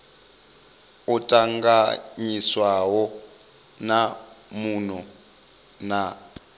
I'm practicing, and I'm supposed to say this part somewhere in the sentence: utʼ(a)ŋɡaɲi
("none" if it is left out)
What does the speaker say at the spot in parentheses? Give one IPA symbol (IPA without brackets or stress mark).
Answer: a